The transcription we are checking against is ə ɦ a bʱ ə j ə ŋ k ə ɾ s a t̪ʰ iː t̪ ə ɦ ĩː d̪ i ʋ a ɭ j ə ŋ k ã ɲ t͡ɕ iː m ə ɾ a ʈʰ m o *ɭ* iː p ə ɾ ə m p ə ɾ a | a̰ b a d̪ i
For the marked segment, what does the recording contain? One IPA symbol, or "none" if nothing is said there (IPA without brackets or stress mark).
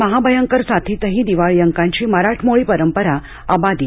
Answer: ɭ